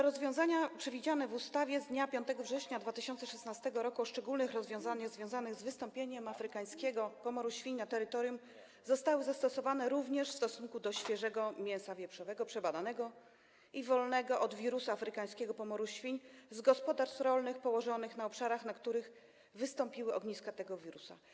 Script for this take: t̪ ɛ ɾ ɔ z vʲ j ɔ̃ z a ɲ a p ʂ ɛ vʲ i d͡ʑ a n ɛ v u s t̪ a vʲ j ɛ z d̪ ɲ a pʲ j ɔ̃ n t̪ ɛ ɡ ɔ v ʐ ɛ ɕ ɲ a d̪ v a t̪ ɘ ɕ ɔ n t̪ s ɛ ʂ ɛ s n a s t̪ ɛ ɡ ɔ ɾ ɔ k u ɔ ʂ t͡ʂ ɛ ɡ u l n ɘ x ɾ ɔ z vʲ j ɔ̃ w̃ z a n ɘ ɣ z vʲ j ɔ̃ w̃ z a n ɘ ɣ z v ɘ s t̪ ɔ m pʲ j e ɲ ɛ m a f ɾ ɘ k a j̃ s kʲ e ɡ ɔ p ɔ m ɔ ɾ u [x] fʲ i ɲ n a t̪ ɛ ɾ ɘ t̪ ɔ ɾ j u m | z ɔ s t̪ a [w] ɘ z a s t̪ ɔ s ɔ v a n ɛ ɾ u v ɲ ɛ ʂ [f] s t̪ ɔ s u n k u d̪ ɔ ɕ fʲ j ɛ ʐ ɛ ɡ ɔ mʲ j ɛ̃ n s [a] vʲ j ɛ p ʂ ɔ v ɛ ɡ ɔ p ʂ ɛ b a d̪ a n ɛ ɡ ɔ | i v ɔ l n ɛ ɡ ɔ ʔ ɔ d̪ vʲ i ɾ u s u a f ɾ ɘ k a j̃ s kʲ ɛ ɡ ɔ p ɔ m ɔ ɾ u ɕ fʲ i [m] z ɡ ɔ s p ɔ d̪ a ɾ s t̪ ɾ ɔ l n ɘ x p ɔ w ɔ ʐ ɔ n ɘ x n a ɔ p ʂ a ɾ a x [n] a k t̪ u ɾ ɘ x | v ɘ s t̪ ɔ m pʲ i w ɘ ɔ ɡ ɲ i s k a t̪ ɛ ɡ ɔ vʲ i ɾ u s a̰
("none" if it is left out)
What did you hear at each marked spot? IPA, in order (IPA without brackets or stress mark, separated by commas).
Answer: ɕ, w, f, a, ɲ, n